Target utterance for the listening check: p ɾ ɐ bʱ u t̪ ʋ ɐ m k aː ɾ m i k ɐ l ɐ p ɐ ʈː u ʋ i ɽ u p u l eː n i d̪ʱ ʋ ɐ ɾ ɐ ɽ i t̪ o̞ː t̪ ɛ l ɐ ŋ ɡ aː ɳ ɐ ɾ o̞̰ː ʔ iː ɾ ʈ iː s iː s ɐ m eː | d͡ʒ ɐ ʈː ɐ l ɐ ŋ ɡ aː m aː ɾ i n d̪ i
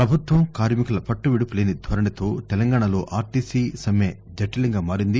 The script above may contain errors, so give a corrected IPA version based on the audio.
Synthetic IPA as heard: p ɾ ɐ bʱ u t̪ ʋ ɐ m k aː ɾ m i k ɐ l ɐ p ɐ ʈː u ʋ i ɽ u p u l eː n i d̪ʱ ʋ ɐ ɾ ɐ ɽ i t̪ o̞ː t̪ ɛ l ɐ ŋ ɡ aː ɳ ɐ l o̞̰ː ʔ aː ɾ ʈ iː s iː s ɐ m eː | d͡ʒ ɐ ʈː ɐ l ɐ ŋ ɡ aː m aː ɾ i n d̪ i